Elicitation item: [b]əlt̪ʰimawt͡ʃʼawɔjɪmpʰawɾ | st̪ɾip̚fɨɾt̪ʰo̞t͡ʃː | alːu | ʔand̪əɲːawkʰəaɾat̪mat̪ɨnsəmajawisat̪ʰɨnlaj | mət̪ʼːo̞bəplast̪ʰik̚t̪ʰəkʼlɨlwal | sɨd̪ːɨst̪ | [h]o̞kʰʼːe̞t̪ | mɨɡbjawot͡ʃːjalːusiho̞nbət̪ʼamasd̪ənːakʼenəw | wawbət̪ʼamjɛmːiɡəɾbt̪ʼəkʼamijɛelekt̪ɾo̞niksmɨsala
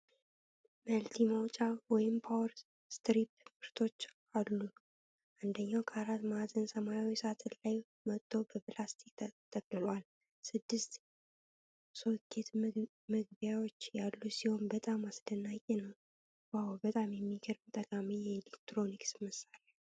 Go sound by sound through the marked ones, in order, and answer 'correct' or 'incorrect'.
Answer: incorrect, incorrect

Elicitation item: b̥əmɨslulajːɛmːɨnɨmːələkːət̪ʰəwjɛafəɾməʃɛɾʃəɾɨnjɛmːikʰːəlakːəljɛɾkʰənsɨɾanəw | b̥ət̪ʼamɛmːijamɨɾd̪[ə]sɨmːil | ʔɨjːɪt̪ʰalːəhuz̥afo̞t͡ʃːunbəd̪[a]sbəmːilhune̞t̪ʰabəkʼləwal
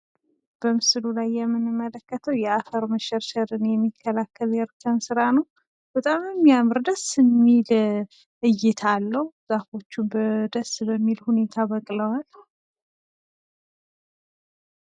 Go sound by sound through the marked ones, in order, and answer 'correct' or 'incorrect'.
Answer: correct, incorrect

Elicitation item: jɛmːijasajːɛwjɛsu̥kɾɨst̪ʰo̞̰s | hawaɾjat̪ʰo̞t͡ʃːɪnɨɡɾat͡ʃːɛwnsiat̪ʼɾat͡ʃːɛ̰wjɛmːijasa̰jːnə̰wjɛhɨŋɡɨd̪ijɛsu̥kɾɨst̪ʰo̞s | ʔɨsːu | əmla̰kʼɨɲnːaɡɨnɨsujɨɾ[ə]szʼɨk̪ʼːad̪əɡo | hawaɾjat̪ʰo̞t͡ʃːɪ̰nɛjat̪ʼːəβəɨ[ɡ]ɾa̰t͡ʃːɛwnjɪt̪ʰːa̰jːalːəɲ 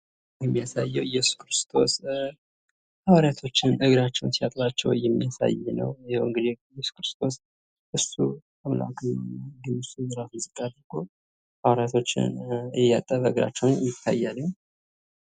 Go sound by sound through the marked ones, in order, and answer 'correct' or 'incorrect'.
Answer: incorrect, correct

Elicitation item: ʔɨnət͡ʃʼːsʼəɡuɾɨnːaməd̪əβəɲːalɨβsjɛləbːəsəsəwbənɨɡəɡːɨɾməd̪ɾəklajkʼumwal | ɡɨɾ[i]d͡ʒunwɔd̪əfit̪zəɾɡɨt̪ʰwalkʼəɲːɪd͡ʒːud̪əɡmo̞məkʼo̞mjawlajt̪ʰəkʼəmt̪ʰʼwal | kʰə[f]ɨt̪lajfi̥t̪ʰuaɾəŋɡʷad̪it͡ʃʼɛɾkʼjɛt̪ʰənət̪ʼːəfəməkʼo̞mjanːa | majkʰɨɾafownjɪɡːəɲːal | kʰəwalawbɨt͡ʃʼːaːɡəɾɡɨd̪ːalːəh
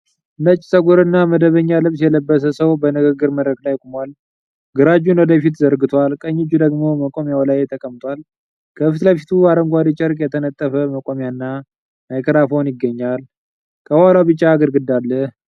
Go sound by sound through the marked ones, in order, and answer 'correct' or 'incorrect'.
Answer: incorrect, correct

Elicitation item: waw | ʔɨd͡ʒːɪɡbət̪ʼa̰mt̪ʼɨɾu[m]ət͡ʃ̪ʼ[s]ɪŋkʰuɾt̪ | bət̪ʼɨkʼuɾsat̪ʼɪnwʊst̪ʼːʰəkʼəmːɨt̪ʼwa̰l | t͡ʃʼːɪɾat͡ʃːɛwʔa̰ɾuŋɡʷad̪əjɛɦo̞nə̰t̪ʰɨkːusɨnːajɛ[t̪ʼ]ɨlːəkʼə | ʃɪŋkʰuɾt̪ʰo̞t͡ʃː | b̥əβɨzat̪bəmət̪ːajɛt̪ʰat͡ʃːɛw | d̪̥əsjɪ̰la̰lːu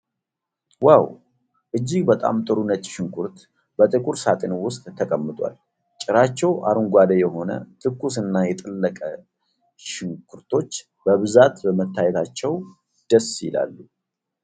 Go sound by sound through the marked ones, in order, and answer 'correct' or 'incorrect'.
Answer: incorrect, incorrect, correct

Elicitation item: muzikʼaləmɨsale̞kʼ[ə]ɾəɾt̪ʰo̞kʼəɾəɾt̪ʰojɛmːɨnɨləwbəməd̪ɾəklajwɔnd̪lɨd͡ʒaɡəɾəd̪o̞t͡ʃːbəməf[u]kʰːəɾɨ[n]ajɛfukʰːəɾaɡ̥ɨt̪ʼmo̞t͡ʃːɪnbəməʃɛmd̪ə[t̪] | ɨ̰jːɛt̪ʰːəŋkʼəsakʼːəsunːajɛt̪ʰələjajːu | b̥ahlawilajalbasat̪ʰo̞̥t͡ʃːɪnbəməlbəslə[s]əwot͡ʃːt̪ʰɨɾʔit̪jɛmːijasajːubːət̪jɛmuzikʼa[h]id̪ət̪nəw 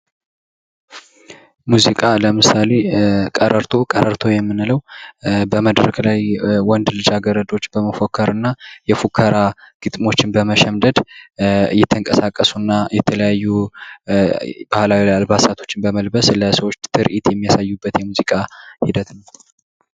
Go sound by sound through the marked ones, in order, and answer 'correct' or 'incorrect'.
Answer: correct, incorrect, incorrect, incorrect, correct, correct

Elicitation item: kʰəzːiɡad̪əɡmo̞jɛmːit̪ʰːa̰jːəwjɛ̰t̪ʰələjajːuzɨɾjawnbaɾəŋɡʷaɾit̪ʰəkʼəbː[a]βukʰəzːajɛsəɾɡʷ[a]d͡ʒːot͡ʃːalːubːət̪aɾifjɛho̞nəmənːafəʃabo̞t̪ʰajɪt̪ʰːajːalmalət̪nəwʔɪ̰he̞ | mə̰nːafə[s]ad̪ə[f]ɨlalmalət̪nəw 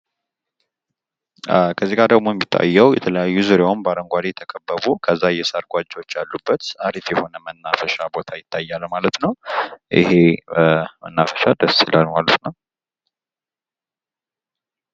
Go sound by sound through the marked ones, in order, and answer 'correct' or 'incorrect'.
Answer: incorrect, correct, incorrect, incorrect

